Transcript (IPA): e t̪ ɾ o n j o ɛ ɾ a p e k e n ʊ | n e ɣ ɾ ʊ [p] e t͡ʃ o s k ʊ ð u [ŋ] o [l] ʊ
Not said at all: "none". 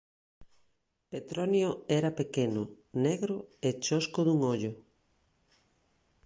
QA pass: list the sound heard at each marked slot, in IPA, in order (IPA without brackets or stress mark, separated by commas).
none, ŋ, ʎ